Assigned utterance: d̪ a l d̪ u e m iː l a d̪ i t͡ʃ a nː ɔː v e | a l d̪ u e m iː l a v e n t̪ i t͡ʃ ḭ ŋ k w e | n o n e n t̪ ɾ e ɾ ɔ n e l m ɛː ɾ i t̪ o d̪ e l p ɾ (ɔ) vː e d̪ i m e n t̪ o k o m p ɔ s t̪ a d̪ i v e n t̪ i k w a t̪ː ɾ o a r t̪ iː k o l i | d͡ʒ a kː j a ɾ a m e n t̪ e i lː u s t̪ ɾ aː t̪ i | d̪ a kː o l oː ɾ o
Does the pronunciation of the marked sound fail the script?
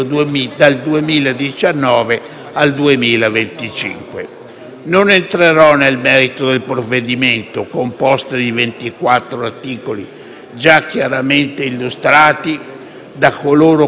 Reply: yes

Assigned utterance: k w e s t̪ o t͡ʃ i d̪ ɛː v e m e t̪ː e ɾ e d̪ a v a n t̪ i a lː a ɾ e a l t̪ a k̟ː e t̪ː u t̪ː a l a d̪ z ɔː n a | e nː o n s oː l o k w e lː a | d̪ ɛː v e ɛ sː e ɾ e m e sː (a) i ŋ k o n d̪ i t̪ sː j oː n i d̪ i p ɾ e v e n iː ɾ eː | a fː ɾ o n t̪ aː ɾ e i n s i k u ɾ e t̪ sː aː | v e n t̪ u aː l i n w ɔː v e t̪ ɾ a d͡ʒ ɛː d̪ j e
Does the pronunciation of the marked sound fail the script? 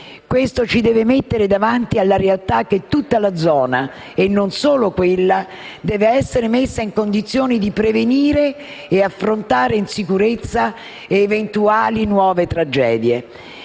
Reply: no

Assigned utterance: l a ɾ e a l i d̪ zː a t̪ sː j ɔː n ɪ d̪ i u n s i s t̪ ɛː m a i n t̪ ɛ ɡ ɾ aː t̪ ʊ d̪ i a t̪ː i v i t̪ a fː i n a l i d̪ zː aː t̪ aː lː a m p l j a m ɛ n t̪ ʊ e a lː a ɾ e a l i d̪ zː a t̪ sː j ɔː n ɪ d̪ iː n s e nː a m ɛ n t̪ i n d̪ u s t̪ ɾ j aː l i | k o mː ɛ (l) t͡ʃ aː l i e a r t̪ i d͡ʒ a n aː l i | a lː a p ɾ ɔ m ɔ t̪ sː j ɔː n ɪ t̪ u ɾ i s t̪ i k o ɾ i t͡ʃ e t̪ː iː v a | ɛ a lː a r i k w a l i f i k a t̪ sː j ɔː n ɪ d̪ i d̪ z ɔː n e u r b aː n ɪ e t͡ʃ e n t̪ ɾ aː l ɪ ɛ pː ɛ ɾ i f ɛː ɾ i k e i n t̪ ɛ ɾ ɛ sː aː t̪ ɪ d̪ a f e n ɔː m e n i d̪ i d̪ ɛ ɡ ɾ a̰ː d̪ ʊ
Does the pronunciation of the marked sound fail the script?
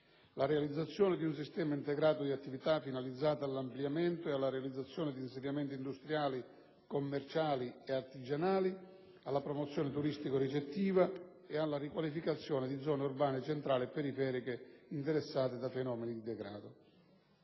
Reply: yes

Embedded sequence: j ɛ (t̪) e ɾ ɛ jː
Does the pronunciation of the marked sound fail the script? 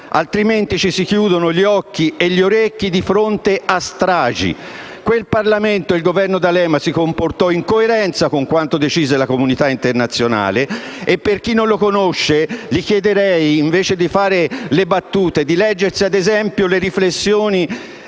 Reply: yes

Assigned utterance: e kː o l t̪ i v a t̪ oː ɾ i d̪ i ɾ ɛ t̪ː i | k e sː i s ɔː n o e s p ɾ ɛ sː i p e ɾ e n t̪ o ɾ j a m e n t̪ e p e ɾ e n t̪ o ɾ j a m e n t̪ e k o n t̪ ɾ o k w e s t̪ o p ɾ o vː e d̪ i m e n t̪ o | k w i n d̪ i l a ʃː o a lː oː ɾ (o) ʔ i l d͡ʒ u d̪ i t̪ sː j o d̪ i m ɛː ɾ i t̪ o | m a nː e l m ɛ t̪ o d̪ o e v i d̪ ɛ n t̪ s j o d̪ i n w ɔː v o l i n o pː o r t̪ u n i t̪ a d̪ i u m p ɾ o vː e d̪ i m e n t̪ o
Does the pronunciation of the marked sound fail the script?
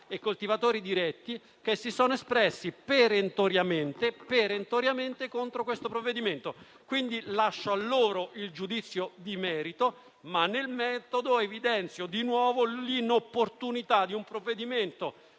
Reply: no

